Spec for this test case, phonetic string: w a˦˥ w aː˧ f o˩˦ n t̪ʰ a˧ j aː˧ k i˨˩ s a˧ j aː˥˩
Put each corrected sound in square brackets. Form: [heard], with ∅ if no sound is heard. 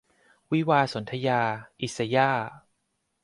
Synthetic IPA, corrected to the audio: w [i˦˥] w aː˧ [s] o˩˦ n t̪ʰ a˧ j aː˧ [ʔ] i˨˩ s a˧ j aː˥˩